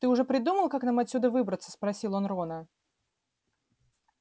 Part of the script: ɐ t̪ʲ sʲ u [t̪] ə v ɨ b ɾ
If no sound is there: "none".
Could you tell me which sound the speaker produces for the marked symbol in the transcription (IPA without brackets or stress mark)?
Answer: d̪